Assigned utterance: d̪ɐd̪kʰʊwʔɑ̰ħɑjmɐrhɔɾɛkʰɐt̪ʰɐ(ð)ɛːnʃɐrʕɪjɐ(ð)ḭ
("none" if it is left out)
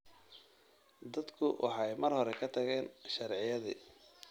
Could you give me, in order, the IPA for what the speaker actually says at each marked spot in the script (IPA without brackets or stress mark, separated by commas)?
ɣ, ð